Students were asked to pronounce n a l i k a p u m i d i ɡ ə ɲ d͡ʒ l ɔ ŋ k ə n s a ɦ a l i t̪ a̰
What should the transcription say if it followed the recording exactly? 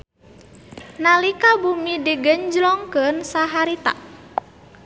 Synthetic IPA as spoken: n a l i k a b u m i d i ɡ ə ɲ d͡ʒ l ɔ ŋ k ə n s a ɦ a ɾ i t̪ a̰